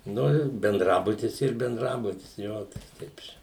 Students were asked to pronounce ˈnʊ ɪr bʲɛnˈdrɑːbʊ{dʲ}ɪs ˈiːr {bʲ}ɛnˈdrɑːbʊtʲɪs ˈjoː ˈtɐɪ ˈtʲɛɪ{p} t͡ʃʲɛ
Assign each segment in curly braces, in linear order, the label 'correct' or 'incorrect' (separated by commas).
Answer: incorrect, correct, correct